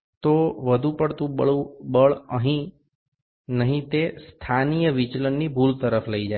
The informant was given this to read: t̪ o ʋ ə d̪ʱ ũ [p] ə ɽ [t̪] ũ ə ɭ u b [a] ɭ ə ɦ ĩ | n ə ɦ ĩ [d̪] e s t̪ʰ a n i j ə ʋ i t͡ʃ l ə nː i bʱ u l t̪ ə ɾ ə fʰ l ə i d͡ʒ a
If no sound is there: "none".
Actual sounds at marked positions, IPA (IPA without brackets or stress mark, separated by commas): p, t̪, ə, t̪